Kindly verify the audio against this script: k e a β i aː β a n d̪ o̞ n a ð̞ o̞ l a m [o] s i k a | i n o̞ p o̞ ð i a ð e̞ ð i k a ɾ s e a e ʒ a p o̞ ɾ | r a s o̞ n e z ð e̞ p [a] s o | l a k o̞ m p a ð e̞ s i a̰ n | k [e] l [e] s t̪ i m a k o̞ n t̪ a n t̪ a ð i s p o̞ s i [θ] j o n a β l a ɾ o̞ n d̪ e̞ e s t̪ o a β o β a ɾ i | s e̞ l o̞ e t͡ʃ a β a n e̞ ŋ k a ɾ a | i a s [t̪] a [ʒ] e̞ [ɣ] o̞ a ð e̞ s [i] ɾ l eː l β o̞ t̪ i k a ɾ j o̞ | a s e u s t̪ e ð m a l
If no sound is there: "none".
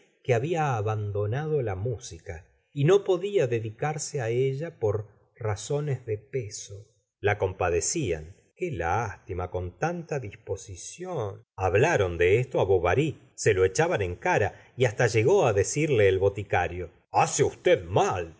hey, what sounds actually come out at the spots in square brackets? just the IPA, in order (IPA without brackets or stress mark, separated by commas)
u, e, e, a, s, t̪, ʒ, ɣ, i